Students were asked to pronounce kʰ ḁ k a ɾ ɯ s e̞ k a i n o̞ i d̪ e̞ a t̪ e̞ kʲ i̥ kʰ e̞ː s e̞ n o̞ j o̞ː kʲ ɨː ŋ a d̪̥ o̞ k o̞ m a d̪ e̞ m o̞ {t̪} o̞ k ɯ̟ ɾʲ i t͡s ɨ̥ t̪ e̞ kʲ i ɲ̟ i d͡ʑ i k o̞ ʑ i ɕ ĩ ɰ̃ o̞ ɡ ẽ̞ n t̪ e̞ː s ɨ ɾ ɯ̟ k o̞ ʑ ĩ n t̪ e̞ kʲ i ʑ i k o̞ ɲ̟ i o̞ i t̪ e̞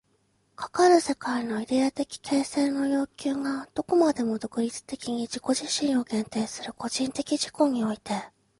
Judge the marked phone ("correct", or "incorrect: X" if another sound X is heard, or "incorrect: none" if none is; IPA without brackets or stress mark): incorrect: d̪